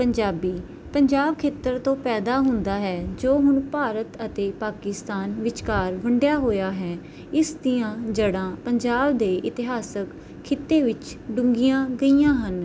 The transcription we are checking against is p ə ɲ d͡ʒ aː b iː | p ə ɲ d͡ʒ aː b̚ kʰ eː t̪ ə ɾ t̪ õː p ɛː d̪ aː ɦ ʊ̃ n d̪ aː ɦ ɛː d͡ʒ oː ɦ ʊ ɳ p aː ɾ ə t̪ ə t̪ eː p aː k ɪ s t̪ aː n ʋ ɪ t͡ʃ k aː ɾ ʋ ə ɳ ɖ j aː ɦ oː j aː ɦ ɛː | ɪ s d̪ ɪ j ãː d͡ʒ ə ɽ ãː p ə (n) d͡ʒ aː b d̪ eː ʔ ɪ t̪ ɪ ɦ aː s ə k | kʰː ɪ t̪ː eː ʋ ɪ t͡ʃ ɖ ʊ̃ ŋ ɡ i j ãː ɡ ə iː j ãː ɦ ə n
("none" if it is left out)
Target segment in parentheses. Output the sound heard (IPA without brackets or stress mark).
ɲ